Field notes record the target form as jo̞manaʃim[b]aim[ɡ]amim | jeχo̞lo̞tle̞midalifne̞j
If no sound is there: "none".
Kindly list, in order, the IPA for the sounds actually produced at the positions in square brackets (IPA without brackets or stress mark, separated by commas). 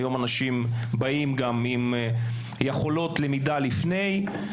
b, ɡ